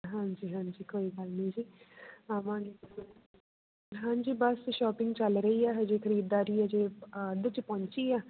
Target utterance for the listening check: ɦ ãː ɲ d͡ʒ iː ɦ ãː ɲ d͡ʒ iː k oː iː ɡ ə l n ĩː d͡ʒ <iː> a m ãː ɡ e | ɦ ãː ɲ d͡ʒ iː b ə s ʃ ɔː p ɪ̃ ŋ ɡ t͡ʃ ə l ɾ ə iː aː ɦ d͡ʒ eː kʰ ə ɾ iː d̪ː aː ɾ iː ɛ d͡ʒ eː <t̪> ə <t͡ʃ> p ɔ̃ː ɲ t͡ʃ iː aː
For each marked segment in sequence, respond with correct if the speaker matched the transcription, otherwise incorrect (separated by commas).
correct, incorrect, correct